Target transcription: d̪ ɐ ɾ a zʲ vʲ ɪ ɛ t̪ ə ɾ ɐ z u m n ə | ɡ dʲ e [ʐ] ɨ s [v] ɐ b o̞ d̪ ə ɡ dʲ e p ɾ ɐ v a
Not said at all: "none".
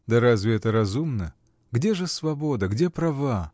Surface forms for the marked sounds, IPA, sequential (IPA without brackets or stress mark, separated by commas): ʐ, v